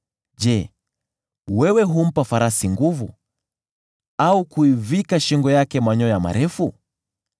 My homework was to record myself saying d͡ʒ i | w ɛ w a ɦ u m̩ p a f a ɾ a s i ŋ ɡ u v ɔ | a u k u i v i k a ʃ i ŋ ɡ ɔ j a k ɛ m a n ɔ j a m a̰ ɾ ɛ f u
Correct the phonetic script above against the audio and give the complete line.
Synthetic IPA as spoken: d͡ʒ ɛ | w ɛ w ɛ ɦ u m̩ p a f a ɾ a s i ŋ ɡ u v u | a u k u i v i k a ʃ i ŋ ɡ ɔ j a k ɛ m a ɲ ɔ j a m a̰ ɾ ɛ f u